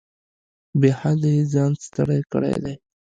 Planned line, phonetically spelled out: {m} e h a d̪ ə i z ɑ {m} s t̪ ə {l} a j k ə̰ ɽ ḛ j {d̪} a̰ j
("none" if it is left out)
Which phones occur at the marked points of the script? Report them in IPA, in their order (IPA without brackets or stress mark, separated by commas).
b, n, ɽ, d̪